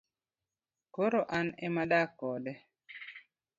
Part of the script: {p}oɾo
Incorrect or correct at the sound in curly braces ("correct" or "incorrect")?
incorrect